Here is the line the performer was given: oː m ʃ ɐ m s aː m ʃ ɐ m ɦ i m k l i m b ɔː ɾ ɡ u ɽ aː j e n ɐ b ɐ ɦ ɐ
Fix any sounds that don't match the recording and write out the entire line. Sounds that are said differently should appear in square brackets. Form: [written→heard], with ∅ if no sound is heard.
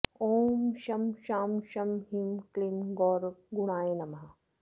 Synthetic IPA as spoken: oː m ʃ ɐ m [s→ʃ] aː m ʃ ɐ m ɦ i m k l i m [b→ɡ] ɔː ɾ ɡ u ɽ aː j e n ɐ [b→m] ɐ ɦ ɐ

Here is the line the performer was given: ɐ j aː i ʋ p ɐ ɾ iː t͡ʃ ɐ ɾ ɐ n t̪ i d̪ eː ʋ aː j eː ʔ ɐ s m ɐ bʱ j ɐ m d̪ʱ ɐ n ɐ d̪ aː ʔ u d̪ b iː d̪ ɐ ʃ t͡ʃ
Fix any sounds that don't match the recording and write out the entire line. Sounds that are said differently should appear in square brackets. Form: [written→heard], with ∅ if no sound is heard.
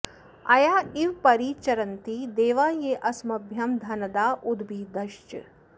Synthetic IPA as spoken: ɐ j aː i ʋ p ɐ ɾ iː t͡ʃ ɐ ɾ ɐ n t̪ i d̪ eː ʋ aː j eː ʔ ɐ s m ɐ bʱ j ɐ m d̪ʱ ɐ n ɐ d̪ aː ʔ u d̪ b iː d̪ ɐ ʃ t͡ʃ

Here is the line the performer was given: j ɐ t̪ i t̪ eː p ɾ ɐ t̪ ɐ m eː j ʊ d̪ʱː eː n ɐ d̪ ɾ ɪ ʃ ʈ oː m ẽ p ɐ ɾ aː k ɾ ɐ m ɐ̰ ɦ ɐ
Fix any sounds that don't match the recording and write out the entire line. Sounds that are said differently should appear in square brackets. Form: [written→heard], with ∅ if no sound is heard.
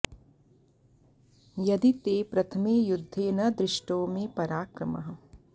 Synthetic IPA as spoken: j ɐ [t̪→d̪] i t̪ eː p ɾ ɐ [t̪→t̪ʰ] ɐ m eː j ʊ d̪ʱː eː n ɐ d̪ ɾ ɪ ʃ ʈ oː m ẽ p ɐ ɾ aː k ɾ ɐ m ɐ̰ ɦ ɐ

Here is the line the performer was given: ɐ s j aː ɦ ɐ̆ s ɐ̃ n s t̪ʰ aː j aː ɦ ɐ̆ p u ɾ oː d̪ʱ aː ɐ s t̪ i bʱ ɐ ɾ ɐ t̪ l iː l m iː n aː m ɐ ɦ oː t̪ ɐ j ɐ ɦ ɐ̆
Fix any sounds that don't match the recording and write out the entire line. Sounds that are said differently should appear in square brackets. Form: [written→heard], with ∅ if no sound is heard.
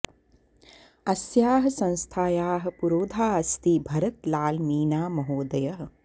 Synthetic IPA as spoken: ɐ s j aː ɦ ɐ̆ s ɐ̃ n s t̪ʰ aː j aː ɦ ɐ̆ p u ɾ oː d̪ʱ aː ɐ s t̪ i bʱ ɐ ɾ ɐ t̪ l [iː→aː] l m iː n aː m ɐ ɦ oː [t̪→d̪] ɐ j ɐ ɦ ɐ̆

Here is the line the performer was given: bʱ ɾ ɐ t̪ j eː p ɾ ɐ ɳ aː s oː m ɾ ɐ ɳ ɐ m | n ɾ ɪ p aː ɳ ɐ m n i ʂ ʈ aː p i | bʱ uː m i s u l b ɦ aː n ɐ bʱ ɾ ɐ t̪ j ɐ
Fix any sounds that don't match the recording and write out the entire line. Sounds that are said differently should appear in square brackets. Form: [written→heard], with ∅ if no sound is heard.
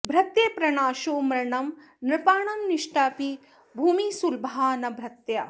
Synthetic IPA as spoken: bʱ ɾ ɐ t̪ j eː p ɾ ɐ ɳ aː [s→ʃ] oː m ɾ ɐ ɳ ɐ m | n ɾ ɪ p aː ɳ ɐ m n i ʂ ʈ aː p i | bʱ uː m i s u l b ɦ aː n ɐ bʱ ɾ ɐ t̪ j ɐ

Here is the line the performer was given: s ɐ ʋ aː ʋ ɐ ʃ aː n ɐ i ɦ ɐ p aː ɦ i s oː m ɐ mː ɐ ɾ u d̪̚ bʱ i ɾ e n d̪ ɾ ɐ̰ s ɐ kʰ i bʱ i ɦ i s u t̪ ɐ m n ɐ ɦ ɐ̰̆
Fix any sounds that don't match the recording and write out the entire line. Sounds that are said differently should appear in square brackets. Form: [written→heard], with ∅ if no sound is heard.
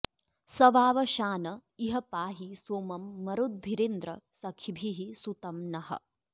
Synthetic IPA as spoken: s ɐ ʋ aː ʋ ɐ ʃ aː n ɐ i ɦ ɐ p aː ɦ i s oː m ɐ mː ɐ ɾ u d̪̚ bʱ i ɾ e n d̪ ɾ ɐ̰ s ɐ kʰ i bʱ i ɦ i s u t̪ ɐ m n ɐ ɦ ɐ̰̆

